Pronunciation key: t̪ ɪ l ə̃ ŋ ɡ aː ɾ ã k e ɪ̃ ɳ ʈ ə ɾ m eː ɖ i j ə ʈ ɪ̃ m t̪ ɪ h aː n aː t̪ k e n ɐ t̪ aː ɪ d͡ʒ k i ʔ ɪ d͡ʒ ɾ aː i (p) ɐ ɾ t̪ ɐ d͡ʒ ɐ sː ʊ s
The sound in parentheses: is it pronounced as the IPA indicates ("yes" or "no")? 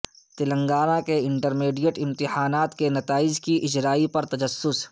yes